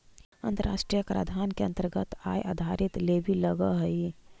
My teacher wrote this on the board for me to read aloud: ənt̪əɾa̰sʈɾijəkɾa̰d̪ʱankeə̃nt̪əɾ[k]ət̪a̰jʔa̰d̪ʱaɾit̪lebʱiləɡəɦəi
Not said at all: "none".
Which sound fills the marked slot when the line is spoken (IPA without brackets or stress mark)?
ɡ